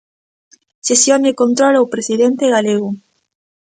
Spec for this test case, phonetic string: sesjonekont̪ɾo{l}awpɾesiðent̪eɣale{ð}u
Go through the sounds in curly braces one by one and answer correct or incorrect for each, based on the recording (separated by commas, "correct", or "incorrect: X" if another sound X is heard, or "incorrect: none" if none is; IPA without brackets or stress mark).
correct, incorrect: ɣ